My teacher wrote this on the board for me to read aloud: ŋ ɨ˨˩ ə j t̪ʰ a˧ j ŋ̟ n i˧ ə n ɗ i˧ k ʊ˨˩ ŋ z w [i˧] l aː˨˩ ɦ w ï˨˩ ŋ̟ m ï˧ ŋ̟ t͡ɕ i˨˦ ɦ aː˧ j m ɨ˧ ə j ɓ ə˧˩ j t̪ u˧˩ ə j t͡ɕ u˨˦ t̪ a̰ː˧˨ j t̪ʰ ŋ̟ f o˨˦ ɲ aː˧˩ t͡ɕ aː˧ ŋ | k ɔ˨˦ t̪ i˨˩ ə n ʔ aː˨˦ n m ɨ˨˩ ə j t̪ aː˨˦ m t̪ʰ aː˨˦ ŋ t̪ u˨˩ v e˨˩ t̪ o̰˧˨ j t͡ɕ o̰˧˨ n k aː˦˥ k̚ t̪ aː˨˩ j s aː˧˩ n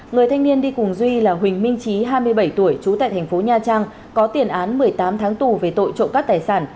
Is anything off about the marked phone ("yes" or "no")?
no